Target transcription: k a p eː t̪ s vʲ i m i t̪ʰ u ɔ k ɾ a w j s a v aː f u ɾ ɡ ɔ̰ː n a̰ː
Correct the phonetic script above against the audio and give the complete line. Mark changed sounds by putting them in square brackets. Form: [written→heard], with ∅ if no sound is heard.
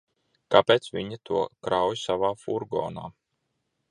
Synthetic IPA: k a p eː t̪ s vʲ i [m→ɲ] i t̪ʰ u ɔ k ɾ a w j s a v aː f u ɾ ɡ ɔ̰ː n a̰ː